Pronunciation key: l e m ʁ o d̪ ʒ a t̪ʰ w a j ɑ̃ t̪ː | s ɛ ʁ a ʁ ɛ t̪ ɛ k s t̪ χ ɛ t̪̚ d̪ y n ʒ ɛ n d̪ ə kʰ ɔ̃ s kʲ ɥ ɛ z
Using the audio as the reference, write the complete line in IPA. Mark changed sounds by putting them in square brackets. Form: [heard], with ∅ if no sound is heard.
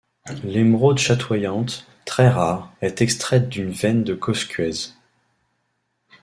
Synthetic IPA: l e m ʁ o d̪ [ʃ] a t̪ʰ w a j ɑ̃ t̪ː | [χ] ɛ ʁ a ʁ ɛ t̪ ɛ k s t̪ χ ɛ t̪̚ d̪ y n [v] ɛ n d̪ ə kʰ [ɔ] s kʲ ɥ ɛ z